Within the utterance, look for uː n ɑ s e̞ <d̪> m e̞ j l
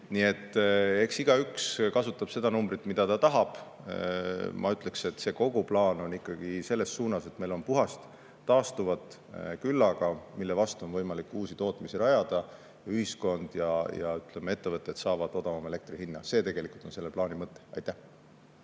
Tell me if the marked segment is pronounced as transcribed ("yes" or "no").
no